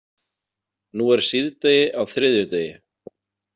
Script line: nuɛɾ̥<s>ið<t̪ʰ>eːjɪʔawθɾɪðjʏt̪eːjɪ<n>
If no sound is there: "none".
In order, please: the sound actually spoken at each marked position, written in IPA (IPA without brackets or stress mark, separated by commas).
s, t̪, none